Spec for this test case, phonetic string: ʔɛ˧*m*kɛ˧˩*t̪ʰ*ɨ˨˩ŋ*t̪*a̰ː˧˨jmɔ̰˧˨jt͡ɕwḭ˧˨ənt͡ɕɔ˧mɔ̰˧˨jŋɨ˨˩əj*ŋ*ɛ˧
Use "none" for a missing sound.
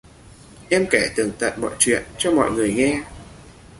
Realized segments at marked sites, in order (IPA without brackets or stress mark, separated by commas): m, t̪, t̪, ŋ